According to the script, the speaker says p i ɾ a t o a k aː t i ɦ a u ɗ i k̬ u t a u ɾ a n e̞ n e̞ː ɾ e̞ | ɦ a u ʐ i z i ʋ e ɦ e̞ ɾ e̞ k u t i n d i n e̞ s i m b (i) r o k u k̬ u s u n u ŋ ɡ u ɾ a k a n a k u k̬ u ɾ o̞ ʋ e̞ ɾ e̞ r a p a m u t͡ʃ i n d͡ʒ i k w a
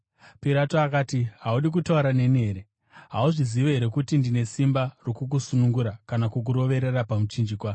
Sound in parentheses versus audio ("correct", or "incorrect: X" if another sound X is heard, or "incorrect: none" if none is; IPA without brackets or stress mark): incorrect: a